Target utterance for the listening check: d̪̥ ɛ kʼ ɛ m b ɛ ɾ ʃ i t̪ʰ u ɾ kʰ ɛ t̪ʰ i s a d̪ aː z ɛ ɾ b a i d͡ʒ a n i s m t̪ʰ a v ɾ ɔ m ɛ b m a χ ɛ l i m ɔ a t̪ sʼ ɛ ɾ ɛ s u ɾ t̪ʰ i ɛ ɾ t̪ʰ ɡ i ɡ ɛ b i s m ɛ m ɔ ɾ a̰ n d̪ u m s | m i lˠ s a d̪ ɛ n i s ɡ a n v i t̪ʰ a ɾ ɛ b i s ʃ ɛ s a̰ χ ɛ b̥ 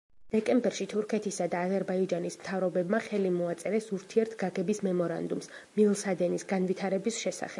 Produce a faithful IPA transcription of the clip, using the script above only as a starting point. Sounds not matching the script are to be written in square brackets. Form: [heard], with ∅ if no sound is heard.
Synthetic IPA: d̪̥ ɛ kʼ ɛ m b ɛ ɾ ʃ i t̪ʰ u ɾ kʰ ɛ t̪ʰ i s a d̪ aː z ɛ ɾ b a i d͡ʒ a n i s m t̪ʰ a v ɾ ɔ [b] ɛ b m a χ ɛ l i m ɔ a t̪ sʼ ɛ ɾ ɛ s u ɾ t̪ʰ i ɛ ɾ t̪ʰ ɡ [a] ɡ ɛ b i s m ɛ m ɔ ɾ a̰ n d̪ u m s | m i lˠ s a d̪ ɛ n i s ɡ a n v i t̪ʰ a ɾ ɛ b i s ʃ ɛ s a̰ χ ɛ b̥